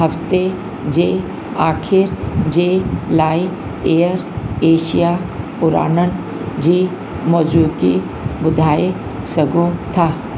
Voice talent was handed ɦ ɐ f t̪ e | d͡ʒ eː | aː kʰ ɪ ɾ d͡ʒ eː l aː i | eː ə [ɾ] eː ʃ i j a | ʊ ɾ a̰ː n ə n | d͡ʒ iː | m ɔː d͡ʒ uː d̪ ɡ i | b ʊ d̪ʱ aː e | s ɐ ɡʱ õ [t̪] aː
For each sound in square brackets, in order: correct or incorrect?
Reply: correct, incorrect

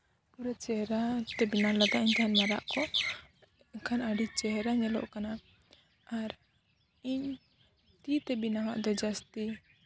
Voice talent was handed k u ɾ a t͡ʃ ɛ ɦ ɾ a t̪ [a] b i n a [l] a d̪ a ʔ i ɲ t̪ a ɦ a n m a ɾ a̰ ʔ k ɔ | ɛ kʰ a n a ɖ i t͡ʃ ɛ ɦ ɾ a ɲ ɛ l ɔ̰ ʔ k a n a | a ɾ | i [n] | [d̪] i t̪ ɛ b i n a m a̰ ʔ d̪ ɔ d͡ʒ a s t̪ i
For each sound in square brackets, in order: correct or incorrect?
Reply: incorrect, correct, incorrect, incorrect

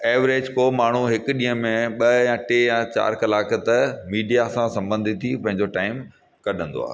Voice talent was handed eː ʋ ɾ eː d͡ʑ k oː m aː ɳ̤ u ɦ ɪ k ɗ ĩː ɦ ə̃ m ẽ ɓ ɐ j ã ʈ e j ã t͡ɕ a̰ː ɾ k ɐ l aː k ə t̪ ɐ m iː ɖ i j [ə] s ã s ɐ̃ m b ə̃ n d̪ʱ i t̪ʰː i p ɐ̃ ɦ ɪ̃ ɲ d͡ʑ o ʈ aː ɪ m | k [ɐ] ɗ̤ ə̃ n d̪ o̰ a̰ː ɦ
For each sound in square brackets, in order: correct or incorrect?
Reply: incorrect, correct

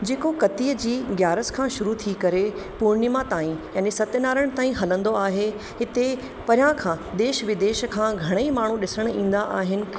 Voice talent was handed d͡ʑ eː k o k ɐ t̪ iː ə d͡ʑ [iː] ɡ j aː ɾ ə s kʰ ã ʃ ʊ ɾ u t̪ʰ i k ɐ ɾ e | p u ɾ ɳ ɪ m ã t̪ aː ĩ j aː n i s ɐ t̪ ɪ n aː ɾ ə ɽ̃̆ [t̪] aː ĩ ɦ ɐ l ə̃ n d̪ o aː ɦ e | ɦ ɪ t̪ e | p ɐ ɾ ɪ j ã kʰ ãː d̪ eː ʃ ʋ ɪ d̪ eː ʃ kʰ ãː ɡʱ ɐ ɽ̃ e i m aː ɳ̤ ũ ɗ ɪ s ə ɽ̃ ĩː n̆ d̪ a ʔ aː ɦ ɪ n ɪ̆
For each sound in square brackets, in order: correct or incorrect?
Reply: correct, correct

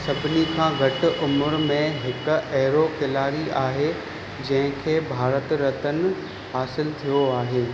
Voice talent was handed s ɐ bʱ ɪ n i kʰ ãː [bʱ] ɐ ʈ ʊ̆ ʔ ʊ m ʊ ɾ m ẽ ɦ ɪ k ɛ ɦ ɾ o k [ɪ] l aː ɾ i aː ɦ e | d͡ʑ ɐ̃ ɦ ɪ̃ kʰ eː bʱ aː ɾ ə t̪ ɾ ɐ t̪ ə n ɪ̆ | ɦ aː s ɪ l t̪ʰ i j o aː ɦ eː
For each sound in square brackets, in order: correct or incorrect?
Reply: incorrect, correct

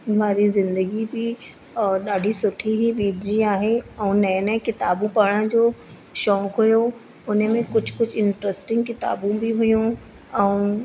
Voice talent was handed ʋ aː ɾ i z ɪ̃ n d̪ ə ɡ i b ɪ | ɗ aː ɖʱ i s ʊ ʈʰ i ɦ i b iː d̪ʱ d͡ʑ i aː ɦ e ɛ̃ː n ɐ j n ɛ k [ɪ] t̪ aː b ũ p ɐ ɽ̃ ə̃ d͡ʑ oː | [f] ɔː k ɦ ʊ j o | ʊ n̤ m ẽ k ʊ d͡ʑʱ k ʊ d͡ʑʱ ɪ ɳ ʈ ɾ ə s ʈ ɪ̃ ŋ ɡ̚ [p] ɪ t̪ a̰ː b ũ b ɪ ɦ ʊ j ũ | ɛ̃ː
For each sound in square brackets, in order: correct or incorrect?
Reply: correct, incorrect, incorrect

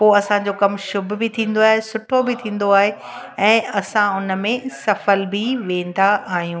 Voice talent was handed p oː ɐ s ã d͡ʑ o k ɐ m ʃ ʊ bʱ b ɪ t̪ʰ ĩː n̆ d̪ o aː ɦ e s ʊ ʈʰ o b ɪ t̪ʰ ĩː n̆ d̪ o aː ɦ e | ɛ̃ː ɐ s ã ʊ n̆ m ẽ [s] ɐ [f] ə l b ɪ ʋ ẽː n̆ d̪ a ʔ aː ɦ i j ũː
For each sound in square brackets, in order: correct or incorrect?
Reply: correct, correct

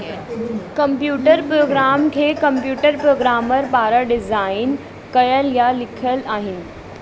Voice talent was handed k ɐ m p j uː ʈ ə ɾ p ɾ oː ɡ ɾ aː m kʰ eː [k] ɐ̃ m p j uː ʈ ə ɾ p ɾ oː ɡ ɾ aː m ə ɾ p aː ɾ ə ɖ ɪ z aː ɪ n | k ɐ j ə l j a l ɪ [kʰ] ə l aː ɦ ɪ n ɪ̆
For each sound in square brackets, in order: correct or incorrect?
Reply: correct, correct

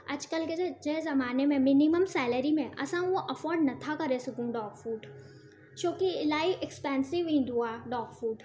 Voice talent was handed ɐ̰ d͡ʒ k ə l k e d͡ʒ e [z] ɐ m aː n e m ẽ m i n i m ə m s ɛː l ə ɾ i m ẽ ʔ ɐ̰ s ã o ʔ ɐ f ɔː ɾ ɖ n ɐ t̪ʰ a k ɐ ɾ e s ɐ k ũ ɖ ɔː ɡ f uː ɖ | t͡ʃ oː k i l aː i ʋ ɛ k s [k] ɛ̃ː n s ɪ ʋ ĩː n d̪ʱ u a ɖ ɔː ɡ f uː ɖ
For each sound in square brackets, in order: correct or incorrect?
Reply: correct, incorrect

